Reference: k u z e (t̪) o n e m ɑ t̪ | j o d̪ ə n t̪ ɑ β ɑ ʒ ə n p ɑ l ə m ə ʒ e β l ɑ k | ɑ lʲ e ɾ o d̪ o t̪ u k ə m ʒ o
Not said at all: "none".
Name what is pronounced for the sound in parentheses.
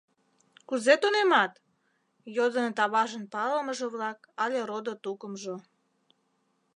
t̪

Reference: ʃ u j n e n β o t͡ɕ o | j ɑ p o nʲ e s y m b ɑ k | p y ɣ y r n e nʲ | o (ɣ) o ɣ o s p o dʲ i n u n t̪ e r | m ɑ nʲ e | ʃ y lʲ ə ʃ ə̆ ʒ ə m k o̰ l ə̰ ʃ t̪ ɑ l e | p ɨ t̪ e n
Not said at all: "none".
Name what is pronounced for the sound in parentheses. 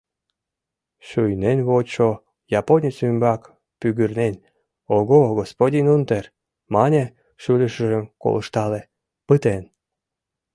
ɣ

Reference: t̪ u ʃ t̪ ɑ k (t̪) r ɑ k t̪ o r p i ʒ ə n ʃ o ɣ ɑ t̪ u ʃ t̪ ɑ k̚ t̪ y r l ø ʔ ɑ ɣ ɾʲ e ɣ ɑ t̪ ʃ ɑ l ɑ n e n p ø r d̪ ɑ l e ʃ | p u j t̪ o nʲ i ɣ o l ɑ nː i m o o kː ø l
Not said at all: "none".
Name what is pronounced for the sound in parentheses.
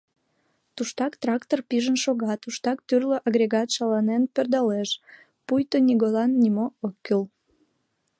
t̪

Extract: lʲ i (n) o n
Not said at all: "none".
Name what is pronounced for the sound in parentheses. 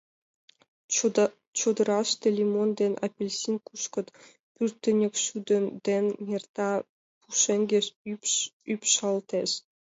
m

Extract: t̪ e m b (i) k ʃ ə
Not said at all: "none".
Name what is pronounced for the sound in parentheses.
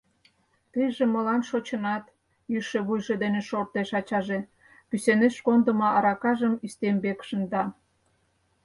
e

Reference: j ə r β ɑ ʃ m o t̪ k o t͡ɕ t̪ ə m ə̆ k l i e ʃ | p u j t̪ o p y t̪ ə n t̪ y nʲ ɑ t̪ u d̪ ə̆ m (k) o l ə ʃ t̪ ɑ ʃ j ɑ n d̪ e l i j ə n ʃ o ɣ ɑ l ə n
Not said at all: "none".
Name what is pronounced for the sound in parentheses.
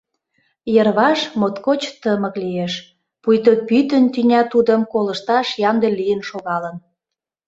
k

